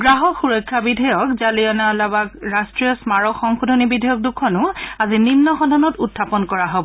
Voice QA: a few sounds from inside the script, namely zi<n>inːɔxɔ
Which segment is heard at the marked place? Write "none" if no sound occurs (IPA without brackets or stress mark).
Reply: n